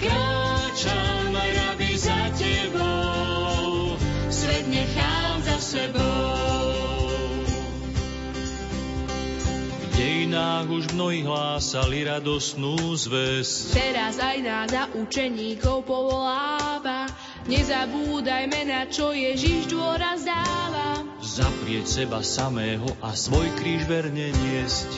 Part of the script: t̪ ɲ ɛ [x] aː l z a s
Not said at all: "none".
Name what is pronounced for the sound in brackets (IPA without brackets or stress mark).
x